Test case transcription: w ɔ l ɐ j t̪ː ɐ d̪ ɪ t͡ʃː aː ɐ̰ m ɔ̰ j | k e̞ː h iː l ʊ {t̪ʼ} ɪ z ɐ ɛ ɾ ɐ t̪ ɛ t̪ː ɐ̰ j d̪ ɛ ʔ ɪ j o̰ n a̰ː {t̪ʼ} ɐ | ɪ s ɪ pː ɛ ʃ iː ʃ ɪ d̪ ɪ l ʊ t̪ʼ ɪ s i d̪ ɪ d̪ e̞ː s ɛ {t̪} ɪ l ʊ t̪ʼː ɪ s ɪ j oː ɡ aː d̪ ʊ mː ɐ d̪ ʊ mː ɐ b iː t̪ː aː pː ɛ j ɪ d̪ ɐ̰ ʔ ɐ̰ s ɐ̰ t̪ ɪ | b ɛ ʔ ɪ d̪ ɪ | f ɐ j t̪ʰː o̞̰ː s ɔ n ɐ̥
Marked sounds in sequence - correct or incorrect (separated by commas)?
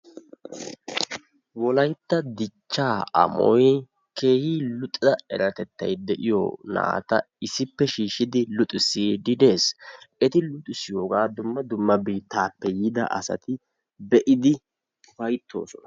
correct, incorrect, correct